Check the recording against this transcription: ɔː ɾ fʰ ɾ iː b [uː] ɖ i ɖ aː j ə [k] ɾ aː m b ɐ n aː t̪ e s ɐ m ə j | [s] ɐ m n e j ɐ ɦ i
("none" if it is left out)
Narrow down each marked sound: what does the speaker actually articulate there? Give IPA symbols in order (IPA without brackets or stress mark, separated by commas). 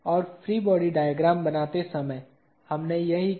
ɔː, ɡ, h